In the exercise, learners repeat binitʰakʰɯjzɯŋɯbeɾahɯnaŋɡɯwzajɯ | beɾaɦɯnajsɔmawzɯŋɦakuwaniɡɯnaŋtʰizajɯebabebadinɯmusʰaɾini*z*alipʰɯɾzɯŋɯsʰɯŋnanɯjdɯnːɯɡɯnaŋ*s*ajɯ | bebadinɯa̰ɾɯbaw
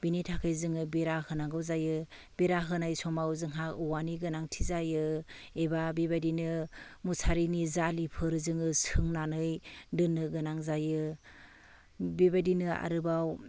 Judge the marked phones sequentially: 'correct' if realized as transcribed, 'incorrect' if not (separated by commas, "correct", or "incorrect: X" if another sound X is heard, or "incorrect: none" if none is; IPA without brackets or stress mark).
correct, incorrect: z